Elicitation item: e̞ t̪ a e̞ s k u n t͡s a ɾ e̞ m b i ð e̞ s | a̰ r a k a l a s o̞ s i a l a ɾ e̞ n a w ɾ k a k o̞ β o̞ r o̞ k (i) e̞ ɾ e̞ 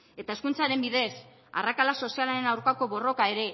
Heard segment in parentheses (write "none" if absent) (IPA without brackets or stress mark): a